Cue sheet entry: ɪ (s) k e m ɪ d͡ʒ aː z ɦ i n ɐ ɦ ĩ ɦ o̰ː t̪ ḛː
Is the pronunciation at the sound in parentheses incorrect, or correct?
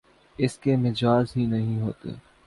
correct